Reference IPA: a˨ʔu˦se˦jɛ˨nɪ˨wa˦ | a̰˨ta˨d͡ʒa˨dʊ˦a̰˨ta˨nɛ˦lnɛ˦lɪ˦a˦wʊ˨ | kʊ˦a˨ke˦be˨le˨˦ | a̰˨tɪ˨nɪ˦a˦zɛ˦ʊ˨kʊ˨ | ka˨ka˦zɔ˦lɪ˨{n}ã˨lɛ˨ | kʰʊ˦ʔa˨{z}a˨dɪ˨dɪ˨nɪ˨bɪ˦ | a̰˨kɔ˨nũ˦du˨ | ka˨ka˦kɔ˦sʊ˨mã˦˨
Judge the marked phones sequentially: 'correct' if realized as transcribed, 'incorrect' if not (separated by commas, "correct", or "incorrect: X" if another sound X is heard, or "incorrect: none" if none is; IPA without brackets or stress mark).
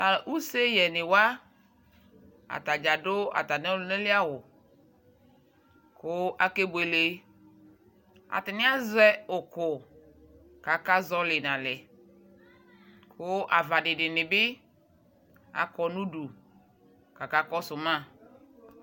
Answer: correct, incorrect: v